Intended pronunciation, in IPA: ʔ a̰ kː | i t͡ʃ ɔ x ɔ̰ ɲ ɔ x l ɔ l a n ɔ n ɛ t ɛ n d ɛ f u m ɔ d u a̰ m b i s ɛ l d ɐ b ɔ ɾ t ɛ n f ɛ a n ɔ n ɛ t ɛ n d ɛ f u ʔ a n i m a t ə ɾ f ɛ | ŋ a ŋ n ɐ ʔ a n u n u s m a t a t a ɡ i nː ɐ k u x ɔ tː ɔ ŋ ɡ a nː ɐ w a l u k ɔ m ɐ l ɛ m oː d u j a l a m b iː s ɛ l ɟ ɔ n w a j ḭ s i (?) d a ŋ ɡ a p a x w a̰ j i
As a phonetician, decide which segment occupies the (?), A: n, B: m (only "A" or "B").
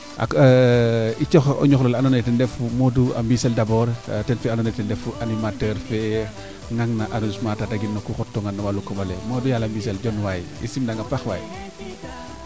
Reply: B